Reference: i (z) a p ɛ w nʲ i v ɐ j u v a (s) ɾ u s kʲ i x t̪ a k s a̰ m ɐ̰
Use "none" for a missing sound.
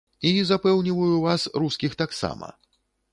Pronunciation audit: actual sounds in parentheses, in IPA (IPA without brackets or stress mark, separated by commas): z, s